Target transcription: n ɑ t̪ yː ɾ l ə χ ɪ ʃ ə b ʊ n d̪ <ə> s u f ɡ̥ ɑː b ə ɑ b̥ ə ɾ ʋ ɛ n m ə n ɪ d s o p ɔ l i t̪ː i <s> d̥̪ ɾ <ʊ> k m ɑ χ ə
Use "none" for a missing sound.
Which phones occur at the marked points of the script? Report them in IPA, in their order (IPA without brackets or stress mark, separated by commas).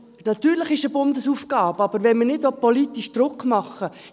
ə, ʃ, ʊ